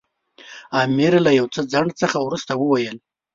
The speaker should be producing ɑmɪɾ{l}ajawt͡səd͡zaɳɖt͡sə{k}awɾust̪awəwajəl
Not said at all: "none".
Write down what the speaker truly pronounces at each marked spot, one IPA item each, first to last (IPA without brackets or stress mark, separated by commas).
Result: l, x